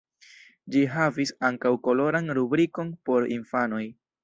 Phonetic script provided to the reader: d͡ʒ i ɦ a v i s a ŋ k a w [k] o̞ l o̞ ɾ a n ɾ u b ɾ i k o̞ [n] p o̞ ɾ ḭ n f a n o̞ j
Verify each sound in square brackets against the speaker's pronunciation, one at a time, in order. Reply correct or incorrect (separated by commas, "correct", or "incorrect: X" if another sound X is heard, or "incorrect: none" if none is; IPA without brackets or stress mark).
correct, correct